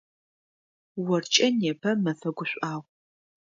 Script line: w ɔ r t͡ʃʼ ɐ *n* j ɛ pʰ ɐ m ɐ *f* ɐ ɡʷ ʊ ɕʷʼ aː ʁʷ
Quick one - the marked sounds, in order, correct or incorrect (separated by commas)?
correct, correct